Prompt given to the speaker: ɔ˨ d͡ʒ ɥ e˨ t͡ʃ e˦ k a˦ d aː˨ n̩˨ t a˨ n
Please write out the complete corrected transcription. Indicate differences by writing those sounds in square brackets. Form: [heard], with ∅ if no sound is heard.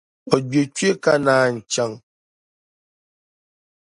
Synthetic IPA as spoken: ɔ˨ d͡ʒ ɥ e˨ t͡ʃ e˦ k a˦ [n] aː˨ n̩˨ [t͡ʃ] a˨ [ŋ]